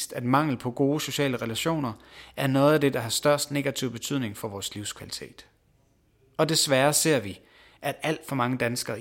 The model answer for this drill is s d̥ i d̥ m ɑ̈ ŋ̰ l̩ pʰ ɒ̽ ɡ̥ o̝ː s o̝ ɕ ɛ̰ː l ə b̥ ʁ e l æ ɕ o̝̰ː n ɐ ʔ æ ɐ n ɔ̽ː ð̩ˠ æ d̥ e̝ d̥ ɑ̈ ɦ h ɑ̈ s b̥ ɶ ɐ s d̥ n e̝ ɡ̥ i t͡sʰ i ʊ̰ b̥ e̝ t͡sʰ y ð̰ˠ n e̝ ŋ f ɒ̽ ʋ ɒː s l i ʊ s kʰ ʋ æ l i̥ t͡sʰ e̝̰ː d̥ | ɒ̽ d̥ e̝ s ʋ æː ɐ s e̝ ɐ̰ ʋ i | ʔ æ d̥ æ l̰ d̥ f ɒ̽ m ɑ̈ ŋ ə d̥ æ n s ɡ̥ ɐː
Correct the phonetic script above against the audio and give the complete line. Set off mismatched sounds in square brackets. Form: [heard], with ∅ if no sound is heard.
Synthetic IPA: s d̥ [æ] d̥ m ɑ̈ ŋ̰ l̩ pʰ ɒ̽ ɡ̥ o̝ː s o̝ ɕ ɛ̰ː l ə [∅] ʁ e l æ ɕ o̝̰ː n ɐ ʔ æ ɐ n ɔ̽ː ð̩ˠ æ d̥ e̝ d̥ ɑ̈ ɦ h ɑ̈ s [d̥] ɶ ɐ s d̥ n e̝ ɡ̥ [æ] t͡sʰ i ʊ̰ b̥ e̝ t͡sʰ y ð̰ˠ n e̝ ŋ f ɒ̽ ʋ ɒː s l i ʊ s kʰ ʋ æ l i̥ t͡sʰ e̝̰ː d̥ | ɒ̽ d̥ e̝ s ʋ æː ɐ s e̝ ɐ̰ ʋ i | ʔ æ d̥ æ l̰ d̥ f ɒ̽ m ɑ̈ ŋ ə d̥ æ n s ɡ̥ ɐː